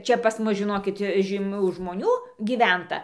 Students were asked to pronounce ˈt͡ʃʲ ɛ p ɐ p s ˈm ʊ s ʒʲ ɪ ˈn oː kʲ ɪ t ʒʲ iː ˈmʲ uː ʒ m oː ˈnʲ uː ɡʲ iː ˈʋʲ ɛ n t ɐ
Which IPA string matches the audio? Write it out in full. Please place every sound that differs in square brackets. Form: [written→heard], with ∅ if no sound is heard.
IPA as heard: ˈt͡ʃʲ ɛ p ɐ [p→∅] s ˈm ʊ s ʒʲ ɪ ˈn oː kʲ ɪ t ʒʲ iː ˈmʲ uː ʒ m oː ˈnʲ uː ɡʲ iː ˈʋʲ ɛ n t ɐ